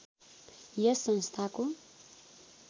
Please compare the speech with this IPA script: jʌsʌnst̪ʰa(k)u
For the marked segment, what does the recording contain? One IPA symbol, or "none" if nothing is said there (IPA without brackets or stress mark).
k